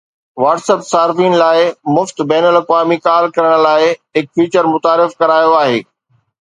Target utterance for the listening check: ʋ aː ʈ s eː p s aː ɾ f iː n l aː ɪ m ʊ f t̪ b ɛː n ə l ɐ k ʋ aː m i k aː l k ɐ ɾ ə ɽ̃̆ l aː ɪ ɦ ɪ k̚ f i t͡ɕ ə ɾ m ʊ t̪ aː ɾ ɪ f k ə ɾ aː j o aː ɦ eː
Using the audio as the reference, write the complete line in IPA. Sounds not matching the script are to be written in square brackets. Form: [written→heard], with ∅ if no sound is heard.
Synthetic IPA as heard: ʋ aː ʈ s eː p s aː ɾ f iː n l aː ɪ m ʊ f t̪ b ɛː n ə l ɐ k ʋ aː m i k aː l k ɐ ɾ ə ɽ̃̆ l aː ɪ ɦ ɪ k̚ f [i→iː] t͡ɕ ə ɾ m ʊ t̪ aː ɾ ɪ f k [ə→ɐ] ɾ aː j o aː ɦ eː